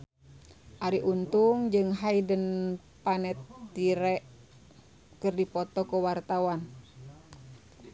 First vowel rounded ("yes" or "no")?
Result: no